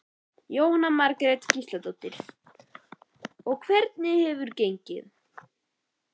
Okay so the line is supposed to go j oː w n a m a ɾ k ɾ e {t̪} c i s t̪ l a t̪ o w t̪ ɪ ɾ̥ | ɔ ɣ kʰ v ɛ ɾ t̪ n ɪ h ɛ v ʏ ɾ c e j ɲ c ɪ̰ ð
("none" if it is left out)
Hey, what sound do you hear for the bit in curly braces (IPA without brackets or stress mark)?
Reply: t̪